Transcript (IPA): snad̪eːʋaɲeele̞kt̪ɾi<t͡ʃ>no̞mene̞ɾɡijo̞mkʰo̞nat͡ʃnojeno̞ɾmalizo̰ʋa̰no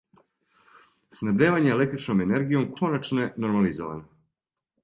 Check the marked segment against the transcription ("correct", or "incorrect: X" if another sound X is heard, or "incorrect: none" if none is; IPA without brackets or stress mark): correct